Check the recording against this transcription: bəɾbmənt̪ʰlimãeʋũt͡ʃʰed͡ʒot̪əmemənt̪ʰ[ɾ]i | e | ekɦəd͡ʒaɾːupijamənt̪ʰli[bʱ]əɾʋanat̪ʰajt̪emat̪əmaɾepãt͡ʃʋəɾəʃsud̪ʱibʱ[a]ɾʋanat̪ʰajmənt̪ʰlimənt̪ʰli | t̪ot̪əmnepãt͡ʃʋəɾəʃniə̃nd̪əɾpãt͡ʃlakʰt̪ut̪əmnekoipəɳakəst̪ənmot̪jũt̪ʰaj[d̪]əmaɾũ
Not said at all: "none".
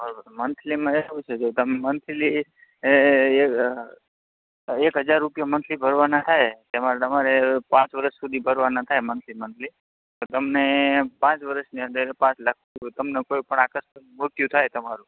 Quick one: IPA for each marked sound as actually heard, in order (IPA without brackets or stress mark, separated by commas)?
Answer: l, bʱ, ə, t̪